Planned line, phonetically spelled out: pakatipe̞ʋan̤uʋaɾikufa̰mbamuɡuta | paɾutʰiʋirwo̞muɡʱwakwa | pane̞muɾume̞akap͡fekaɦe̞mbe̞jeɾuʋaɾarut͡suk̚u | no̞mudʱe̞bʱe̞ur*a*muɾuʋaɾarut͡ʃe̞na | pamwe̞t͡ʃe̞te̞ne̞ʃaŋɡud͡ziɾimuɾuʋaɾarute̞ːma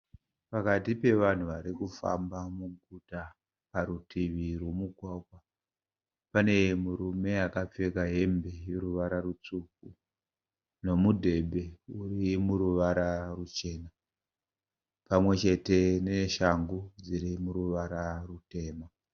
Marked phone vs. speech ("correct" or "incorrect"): incorrect